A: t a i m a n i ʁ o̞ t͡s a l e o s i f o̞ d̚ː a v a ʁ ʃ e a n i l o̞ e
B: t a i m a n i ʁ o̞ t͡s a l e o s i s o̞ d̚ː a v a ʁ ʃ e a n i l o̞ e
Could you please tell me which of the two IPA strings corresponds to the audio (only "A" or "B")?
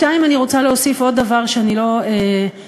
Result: A